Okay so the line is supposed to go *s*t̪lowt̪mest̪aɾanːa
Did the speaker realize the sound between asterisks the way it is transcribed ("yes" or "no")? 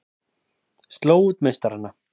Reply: yes